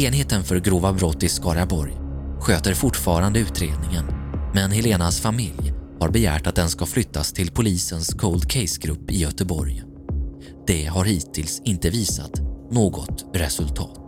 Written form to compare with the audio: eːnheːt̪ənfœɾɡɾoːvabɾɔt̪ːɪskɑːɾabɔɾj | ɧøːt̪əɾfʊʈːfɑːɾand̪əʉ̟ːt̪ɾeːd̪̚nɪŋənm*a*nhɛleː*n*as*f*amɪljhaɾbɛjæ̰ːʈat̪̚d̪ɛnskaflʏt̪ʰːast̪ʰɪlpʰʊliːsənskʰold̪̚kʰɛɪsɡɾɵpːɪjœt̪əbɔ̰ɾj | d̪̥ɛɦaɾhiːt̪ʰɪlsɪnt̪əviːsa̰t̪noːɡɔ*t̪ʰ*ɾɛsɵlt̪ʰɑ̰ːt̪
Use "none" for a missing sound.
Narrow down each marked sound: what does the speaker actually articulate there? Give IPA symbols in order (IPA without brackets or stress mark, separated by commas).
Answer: ɛ, n, f, t̪